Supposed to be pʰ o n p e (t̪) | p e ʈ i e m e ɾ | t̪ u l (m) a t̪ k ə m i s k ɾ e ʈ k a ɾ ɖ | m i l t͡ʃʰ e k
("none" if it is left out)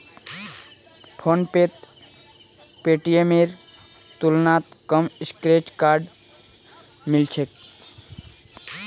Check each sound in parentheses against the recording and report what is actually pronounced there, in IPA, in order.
t̪, n

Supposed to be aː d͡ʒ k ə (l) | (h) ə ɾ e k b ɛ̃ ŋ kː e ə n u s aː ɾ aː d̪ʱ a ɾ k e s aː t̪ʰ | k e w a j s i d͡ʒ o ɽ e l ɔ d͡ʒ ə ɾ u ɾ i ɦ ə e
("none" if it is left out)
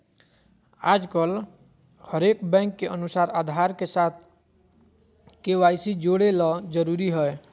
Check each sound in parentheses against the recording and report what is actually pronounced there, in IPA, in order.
l, h

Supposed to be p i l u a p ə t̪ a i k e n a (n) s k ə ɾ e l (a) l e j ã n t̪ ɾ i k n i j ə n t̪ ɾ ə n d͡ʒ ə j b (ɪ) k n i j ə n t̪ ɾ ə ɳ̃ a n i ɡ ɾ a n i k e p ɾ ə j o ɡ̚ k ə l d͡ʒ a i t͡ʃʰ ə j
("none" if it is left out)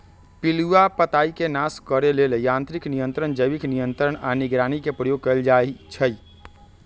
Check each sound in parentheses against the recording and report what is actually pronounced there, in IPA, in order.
none, e, i

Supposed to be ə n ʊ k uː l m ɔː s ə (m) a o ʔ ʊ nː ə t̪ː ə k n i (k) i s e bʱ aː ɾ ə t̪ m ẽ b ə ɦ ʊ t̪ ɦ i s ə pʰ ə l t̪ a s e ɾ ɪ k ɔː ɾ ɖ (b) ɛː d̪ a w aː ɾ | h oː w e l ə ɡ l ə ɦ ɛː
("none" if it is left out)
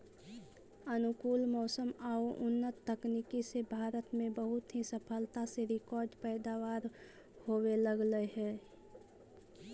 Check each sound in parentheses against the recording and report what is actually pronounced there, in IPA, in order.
m, k, p

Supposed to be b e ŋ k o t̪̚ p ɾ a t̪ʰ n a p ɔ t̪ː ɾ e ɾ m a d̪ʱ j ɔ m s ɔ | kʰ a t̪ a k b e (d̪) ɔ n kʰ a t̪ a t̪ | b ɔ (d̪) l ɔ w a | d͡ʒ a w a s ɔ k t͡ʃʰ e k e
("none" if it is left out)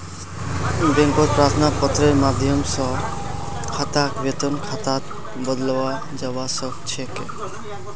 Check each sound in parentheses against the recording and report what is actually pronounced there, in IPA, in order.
t̪, d̪

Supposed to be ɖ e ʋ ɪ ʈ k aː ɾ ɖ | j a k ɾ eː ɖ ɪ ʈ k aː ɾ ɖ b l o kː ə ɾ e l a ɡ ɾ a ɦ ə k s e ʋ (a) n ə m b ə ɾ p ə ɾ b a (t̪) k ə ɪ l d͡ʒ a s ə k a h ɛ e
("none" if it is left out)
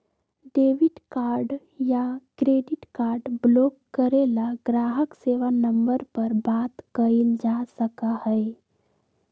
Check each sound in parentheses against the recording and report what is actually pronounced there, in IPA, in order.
a, t̪

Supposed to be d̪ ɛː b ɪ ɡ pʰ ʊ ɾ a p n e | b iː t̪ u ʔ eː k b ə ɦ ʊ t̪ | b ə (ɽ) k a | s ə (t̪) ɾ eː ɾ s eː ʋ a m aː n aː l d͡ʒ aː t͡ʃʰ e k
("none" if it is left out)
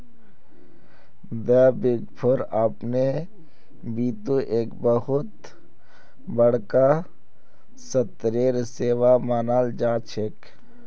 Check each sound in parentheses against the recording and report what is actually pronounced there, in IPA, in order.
ɽ, t̪

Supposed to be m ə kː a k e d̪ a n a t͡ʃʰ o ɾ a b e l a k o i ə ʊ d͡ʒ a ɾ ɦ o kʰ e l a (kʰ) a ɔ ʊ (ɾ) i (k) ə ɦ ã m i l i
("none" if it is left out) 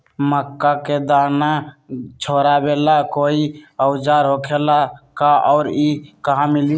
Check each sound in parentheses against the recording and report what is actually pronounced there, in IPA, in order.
k, ɾ, k

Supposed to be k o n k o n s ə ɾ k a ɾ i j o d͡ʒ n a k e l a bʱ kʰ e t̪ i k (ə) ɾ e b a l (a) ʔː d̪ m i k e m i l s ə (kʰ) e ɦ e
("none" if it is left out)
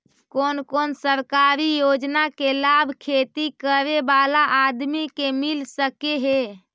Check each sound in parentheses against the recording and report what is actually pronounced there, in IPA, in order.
ə, a, k

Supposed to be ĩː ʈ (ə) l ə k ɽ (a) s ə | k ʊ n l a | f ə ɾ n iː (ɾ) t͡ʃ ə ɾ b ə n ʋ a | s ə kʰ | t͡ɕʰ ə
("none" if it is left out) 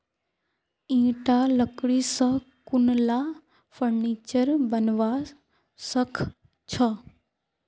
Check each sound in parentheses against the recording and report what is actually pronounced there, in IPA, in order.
a, i, none

